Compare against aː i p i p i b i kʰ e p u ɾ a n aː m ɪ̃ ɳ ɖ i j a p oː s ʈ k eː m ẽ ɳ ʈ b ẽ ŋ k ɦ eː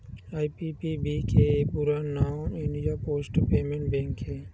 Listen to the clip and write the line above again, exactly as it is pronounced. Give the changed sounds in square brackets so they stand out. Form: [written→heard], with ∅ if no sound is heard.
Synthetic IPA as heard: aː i p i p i b i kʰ e p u ɾ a n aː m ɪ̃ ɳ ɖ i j a p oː s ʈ [k→p] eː m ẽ ɳ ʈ b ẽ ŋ k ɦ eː